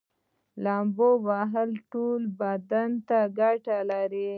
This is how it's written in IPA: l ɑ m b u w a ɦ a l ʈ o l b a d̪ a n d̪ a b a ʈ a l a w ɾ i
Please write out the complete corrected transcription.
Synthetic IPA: l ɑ m b o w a ɦ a l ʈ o l b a d̪ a n t̪ a ɡ a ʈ a l a ɾ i